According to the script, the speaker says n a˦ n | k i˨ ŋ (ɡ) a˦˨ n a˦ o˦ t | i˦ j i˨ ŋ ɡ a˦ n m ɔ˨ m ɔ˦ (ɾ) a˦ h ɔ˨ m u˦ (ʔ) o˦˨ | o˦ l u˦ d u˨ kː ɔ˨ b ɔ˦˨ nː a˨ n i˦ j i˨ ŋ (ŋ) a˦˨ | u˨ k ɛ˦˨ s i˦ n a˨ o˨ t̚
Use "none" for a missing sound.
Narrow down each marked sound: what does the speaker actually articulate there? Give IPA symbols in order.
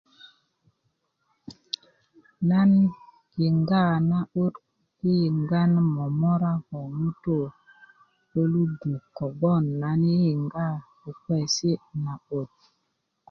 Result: ɡ, ɾ, t, ɡ

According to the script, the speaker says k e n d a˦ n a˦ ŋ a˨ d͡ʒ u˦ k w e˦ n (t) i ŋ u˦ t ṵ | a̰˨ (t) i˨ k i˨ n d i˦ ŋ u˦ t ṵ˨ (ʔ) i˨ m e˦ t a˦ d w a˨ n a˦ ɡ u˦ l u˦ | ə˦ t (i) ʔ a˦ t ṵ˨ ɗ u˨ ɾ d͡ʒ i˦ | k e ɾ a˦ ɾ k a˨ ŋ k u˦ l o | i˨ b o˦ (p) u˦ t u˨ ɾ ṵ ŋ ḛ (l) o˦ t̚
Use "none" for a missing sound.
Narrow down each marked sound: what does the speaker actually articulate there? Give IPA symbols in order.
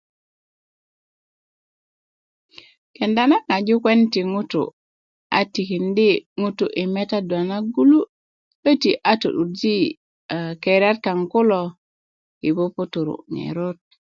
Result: t, t, ʔ, i, p, ɾ

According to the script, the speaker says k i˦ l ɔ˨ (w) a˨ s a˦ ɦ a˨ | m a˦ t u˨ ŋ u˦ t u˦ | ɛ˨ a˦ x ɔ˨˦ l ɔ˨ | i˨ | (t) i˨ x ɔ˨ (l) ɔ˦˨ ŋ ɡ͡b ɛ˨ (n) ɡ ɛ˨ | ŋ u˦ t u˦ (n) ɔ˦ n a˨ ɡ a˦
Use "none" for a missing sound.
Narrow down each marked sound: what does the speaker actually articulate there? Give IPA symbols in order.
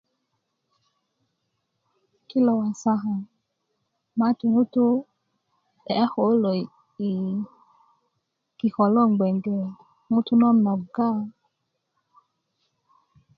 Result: w, k, l, ŋ, n

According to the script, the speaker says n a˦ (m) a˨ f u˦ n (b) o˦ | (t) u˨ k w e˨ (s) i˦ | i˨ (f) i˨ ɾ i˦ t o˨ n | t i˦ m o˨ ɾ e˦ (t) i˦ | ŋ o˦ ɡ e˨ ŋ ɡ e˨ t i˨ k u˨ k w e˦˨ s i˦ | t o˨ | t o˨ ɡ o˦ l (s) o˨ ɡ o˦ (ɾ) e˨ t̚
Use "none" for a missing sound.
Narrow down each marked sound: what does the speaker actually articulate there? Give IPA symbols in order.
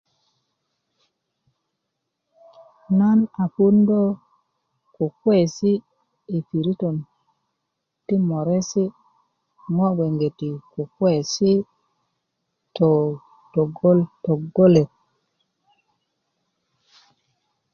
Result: n, d, k, s, f, s, t, l

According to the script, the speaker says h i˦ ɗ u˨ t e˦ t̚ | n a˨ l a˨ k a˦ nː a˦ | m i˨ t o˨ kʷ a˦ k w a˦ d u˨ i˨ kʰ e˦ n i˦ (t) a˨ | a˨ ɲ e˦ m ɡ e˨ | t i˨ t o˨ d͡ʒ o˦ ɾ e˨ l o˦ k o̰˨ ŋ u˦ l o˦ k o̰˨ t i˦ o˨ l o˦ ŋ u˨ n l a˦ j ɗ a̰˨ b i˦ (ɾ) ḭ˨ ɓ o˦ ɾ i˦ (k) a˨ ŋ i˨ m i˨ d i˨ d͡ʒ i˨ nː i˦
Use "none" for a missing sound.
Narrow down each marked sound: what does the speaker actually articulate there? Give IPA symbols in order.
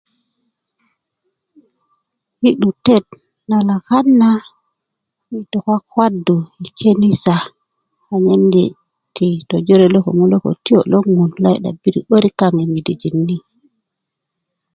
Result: s, ɾ, k

